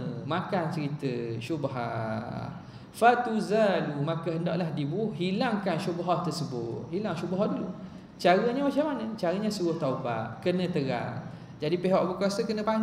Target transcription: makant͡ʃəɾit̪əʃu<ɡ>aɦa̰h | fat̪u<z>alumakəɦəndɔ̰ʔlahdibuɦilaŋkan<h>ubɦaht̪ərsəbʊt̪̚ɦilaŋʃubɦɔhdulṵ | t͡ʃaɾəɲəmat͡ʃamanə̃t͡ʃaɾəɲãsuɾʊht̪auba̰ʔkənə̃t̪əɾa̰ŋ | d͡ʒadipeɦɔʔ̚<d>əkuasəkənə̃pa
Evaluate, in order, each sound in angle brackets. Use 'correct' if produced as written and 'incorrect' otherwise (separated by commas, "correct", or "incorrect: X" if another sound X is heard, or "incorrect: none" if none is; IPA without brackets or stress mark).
incorrect: b, correct, incorrect: ʃ, incorrect: b